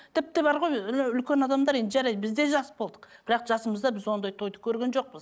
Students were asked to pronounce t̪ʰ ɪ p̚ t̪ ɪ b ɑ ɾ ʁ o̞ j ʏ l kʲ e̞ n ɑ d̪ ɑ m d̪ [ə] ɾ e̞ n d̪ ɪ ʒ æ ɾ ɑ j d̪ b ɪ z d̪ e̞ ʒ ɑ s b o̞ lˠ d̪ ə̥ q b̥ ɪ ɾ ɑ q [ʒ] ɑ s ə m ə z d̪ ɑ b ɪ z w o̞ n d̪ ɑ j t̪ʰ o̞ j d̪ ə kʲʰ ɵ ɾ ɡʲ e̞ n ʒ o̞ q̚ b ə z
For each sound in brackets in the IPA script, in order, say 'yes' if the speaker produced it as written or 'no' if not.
no, yes

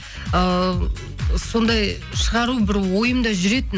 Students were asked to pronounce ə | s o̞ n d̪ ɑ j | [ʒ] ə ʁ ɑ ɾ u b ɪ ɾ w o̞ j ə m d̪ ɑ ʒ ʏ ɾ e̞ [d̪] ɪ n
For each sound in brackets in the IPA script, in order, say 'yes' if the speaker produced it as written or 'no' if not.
no, no

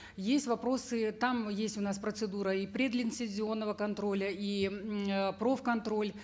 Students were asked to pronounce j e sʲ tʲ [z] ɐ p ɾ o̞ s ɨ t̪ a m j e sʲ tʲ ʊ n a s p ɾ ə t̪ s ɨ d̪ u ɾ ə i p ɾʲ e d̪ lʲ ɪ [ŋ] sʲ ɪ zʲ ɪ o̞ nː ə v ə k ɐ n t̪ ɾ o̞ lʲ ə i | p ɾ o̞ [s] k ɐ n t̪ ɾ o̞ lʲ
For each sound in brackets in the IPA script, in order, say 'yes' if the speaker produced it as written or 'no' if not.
no, no, no

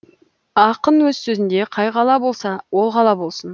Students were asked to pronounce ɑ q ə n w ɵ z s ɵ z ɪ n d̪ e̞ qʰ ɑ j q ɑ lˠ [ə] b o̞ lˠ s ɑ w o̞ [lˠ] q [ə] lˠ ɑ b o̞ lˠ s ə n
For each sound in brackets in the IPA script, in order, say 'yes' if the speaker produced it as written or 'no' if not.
no, yes, no

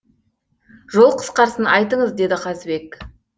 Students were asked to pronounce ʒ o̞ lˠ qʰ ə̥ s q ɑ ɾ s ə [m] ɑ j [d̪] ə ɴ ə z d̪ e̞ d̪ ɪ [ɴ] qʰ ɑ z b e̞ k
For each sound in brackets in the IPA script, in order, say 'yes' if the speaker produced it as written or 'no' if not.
no, no, no

